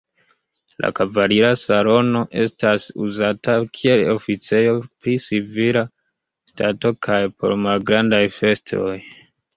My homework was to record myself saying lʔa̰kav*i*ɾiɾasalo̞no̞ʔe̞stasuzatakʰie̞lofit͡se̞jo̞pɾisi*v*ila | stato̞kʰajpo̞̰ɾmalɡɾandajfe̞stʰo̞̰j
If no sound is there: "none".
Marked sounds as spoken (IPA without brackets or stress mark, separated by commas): a, v